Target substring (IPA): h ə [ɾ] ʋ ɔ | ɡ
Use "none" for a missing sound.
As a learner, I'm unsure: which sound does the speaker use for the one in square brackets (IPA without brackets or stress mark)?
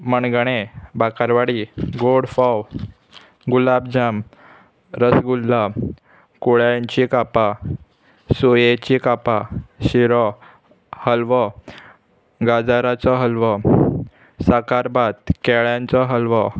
l